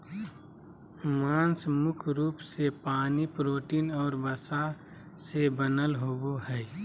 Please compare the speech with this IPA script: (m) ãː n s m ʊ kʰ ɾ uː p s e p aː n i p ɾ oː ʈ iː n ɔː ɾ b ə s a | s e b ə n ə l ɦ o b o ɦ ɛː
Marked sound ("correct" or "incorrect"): correct